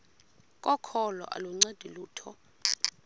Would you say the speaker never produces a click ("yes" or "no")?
no